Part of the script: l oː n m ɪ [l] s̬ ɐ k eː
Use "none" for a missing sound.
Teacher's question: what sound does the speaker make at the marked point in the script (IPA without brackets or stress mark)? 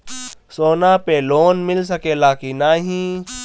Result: l